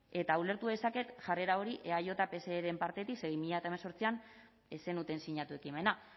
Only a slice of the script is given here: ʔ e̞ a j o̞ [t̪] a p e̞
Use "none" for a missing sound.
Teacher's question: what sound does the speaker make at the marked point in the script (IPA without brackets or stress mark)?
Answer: t̪